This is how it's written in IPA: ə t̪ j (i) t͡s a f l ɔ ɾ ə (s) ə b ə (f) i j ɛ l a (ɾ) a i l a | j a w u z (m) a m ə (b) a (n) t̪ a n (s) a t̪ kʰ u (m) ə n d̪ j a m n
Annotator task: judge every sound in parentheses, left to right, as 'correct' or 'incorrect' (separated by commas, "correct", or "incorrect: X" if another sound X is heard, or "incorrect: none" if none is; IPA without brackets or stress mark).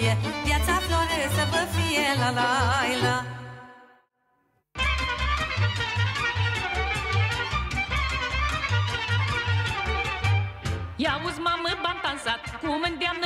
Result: incorrect: a, correct, correct, incorrect: l, correct, correct, correct, correct, correct